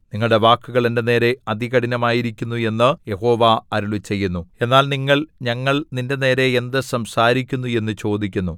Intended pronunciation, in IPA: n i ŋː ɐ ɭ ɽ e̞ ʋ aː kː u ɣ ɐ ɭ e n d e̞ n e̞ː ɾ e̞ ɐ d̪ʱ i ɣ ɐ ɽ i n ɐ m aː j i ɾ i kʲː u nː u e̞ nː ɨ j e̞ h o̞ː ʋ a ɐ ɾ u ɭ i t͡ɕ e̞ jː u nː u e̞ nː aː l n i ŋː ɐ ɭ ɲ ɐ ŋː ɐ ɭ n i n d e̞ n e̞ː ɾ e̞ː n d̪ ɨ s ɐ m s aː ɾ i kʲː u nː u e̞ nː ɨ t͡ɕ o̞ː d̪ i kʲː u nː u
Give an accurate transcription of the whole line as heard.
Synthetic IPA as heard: n i ŋː ɐ ɭ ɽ e̞ ʋ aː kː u ɣ ɐ ɭ e n d e̞ n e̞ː ɾ e̞ ɐ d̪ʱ i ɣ ɐ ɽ i n ɐ m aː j i ɾ i kʲː u nː u e̞ nː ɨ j e̞ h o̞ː ʋ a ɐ ɾ u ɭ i t͡ɕ e̞ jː u nː u e̞ nː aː l n i ŋː ɐ ɭ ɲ ɐ ŋː ɐ ɭ n i n d e̞ n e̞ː ɾ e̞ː n d̪ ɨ s ɐ m s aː ɾ i kʲː u nː u e̞ nː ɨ t͡ɕ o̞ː d̪ i kʲː u nː u